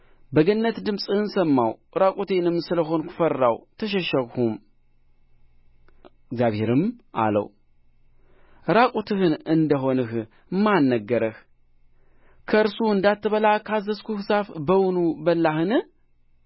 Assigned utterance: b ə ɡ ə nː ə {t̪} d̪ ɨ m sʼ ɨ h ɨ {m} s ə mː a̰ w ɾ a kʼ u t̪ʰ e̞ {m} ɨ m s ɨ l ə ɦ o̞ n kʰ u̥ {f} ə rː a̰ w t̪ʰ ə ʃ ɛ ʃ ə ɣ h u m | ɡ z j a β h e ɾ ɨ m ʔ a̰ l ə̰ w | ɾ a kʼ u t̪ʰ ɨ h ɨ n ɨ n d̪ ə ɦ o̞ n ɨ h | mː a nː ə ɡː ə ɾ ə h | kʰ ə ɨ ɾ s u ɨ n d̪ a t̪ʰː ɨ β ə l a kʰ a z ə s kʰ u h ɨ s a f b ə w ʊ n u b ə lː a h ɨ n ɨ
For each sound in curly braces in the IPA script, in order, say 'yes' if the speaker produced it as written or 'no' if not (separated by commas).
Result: yes, no, no, yes